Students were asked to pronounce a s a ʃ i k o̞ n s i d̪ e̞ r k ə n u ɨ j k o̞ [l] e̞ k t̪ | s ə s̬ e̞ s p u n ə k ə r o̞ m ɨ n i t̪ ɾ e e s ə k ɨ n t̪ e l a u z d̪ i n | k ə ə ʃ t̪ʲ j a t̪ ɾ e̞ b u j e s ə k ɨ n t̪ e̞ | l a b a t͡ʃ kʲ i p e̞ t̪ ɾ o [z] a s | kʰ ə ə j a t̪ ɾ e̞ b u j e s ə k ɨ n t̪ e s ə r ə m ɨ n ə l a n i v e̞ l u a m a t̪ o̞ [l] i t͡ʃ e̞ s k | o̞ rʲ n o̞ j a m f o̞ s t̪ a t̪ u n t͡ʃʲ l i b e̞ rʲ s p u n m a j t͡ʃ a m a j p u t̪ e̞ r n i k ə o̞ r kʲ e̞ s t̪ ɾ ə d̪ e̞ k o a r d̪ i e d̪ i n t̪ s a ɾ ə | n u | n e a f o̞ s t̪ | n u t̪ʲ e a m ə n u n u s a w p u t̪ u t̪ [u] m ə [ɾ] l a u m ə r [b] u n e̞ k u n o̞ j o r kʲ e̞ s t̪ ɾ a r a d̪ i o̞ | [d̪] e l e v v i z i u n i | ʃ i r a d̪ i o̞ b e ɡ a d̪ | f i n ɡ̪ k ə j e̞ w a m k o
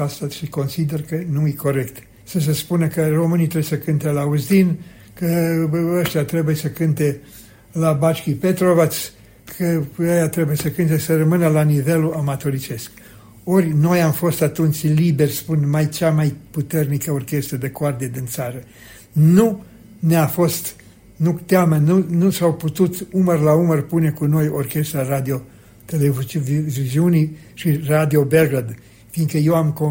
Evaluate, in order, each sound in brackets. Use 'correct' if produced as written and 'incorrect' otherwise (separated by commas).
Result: incorrect, incorrect, incorrect, correct, incorrect, incorrect, incorrect